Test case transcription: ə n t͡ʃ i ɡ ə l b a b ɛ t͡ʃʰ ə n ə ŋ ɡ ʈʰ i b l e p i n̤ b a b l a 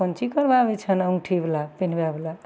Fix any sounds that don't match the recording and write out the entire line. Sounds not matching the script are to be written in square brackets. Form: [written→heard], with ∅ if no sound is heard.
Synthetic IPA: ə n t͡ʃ i [ɡ→k] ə [l→ɾ] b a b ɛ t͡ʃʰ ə n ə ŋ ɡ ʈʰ i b l [e→a] p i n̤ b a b l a